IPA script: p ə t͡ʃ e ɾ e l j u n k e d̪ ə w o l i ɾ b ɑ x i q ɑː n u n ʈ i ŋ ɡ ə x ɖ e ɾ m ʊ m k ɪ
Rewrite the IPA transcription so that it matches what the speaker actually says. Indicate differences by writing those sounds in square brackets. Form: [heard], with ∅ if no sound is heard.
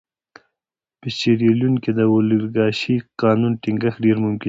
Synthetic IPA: p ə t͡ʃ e ɾ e l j u n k e d̪ ə w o l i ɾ [ɡ] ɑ [ʃ] i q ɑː n u n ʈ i ŋ ɡ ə x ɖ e ɾ m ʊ m k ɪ